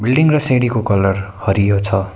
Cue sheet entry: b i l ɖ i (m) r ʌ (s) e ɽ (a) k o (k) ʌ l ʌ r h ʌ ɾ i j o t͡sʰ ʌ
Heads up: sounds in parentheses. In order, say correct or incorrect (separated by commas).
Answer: incorrect, correct, incorrect, correct